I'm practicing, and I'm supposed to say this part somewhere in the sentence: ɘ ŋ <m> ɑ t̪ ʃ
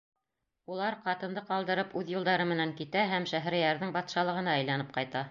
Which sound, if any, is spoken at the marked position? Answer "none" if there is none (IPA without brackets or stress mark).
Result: b